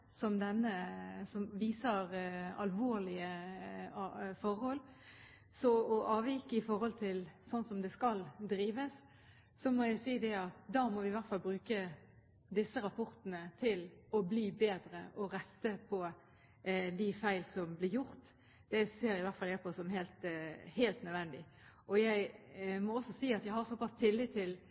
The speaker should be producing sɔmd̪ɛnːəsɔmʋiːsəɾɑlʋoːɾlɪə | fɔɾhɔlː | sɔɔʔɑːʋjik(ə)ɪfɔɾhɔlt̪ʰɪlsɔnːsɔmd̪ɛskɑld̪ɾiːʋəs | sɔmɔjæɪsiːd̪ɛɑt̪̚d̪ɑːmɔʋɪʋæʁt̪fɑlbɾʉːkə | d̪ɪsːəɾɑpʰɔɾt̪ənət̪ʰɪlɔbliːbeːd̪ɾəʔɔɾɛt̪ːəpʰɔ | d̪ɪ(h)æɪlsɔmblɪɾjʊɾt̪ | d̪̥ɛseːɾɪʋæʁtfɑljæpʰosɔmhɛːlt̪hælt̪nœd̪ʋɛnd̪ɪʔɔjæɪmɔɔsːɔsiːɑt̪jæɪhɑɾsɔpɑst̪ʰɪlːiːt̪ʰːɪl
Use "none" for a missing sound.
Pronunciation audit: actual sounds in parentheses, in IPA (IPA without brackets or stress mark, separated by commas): ə, f